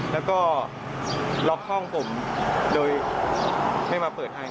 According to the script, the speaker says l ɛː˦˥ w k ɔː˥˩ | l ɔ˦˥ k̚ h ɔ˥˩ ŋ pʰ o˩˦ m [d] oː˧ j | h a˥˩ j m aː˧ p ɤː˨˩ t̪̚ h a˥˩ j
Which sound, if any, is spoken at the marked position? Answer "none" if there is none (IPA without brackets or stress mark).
d